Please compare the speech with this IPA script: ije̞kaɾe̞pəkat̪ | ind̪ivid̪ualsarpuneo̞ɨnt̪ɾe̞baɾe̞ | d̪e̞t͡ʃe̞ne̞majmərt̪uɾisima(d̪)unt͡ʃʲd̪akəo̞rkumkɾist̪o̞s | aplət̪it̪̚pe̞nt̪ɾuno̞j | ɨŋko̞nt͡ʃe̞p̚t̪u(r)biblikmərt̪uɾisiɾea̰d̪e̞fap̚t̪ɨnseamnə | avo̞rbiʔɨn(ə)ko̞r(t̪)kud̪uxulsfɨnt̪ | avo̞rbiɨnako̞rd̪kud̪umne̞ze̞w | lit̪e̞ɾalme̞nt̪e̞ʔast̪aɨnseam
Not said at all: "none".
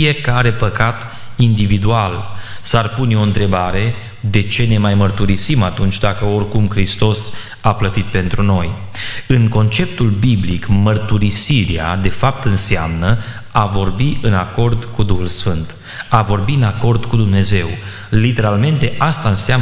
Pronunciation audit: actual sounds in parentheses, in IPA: t̪, l, a, d̪

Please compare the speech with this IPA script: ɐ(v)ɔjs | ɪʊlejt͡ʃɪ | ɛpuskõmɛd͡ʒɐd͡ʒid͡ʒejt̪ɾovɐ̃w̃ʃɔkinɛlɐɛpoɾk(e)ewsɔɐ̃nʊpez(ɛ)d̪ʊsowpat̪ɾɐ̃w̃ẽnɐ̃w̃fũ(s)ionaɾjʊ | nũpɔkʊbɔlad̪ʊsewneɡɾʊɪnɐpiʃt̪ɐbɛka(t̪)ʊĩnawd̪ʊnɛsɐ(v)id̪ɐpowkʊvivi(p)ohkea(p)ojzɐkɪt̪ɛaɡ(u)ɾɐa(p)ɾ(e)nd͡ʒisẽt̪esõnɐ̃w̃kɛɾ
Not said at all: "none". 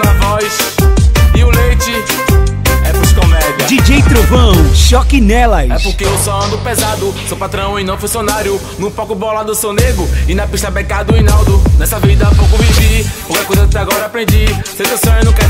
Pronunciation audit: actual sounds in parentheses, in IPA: v, e, a, s, d̪, v, p, k, ɔ, p, ẽ

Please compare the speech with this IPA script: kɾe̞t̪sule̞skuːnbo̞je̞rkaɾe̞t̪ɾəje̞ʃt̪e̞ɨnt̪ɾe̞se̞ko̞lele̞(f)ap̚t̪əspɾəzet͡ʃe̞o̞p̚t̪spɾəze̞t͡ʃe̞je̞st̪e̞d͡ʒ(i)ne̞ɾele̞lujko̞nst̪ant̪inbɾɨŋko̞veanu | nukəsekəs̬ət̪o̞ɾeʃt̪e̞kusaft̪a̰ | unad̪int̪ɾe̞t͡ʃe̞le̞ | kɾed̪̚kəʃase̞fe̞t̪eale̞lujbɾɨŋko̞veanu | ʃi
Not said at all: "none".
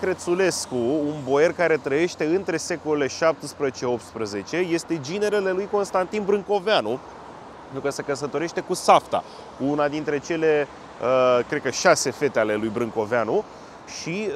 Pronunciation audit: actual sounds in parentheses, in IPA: ʃ, i

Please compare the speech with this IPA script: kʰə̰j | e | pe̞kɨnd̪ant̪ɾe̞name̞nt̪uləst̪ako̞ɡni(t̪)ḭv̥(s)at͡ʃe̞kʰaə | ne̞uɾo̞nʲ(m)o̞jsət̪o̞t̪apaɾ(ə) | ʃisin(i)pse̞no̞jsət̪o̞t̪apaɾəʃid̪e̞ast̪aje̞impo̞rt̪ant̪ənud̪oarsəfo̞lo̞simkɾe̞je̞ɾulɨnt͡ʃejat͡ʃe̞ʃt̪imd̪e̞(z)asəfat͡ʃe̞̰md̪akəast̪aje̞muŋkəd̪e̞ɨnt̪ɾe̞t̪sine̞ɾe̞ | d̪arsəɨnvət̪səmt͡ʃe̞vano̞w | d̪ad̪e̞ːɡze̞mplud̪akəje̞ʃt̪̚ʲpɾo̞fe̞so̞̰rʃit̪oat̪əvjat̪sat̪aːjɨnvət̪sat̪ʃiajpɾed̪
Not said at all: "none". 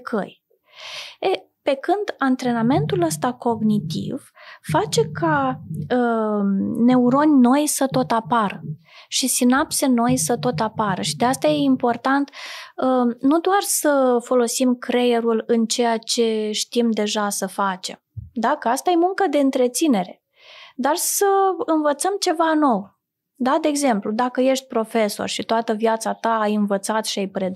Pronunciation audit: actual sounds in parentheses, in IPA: t̪, f, n, ə, a, ʒ

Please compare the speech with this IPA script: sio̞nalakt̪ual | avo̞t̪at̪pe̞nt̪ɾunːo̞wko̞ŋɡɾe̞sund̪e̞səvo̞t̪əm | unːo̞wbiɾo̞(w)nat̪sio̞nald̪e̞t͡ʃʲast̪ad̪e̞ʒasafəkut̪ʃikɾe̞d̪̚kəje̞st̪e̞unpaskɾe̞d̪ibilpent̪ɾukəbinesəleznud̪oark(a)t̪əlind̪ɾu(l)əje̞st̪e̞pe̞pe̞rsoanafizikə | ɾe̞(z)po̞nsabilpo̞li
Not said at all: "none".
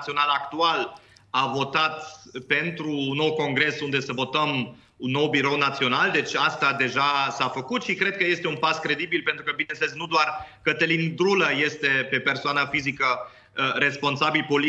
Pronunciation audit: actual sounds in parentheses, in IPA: w, ə, l, s

